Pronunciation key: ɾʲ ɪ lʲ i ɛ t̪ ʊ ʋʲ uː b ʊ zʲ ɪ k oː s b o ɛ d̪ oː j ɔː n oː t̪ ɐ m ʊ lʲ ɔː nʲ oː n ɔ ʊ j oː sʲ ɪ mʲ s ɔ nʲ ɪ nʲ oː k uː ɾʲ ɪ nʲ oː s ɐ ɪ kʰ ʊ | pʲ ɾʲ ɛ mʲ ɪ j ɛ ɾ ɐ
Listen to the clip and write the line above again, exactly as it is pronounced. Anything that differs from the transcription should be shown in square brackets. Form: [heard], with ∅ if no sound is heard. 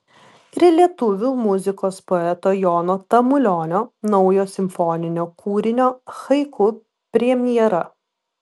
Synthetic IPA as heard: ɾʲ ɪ lʲ i ɛ t̪ ʊ ʋʲ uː [m] ʊ zʲ ɪ k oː s [p] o ɛ [t̪] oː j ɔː n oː t̪ ɐ m ʊ lʲ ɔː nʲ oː n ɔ ʊ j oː sʲ ɪ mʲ [f] ɔ nʲ ɪ nʲ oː k uː ɾʲ ɪ nʲ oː [x] ɐ ɪ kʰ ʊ | pʲ ɾʲ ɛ mʲ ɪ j ɛ ɾ ɐ